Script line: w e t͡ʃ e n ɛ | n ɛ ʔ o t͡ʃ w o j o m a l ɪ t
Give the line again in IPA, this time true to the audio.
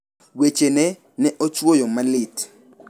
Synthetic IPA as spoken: w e t͡ʃ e n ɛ | n ɛ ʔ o t͡ʃ w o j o m a l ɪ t